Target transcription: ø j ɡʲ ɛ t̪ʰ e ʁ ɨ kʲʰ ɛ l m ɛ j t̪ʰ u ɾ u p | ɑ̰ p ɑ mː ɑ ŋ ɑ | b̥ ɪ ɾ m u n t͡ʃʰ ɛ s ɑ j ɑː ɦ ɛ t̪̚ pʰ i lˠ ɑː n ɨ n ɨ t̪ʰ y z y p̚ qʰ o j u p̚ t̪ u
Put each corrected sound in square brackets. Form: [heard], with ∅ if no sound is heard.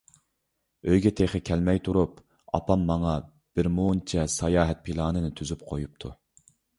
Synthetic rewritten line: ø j ɡʲ ɛ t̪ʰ e [χ] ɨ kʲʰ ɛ l m ɛ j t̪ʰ u ɾ u p | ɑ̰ p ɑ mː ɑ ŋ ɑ | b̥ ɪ ɾ m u n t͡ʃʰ ɛ s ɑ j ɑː ɦ ɛ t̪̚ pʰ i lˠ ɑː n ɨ n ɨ t̪ʰ y z y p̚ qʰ o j u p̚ [t̪ʰ] u